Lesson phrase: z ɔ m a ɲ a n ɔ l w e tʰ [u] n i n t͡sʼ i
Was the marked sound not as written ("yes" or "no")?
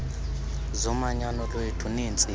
no